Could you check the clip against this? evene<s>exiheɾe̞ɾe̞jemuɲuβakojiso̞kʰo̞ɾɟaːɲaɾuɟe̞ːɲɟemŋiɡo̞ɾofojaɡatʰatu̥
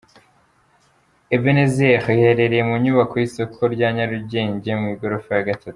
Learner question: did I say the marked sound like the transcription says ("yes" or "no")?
no